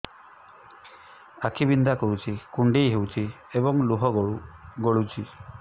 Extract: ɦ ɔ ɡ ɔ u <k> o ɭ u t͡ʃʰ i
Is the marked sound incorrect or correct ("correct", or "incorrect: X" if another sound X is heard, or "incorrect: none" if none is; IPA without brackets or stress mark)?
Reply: incorrect: ɡ